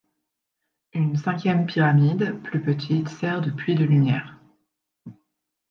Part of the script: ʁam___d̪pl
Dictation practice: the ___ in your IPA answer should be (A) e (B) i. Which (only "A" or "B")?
B